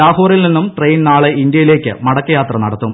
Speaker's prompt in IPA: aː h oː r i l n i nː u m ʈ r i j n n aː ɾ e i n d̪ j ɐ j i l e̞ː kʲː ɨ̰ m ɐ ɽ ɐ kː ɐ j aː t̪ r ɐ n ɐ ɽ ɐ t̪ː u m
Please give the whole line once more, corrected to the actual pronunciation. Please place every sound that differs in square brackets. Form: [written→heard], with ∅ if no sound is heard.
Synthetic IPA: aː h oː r i l n i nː u m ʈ r [i→e] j n n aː [ɾ→ɭ] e i n d̪ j ɐ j i l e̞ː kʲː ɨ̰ m ɐ ɽ ɐ kː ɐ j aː t̪ r ɐ n ɐ ɽ ɐ t̪ː u m

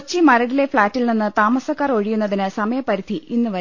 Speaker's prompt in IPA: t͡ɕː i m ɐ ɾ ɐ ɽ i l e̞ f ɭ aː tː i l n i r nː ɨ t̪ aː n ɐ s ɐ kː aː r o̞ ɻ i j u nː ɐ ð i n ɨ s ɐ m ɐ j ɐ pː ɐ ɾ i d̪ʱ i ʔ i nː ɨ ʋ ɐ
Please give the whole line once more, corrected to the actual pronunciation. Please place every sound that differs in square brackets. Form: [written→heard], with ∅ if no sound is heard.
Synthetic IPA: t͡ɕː i m ɐ ɾ ɐ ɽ i l e̞ f ɭ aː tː i l n i [r→∅] nː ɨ t̪ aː [n→m] ɐ s ɐ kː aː r o̞ ɻ i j u nː ɐ ð i n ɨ s ɐ m ɐ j ɐ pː ɐ ɾ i d̪ʱ i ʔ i nː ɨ ʋ ɐ

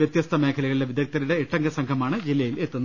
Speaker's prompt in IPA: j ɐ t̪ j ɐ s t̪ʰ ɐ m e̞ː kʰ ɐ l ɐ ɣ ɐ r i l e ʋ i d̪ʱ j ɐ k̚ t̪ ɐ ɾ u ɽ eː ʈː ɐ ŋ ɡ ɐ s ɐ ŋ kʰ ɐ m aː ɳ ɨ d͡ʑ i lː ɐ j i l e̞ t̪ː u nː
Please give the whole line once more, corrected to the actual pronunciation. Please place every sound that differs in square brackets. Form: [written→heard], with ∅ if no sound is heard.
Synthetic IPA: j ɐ t̪ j ɐ s t̪ʰ ɐ m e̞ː kʰ ɐ l ɐ ɣ ɐ [r→ɭ] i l e ʋ i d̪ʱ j ɐ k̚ t̪ ɐ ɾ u ɽ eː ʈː ɐ ŋ ɡ ɐ s ɐ ŋ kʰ ɐ m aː ɳ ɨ d͡ʑ i lː ɐ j i l e̞ t̪ː u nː

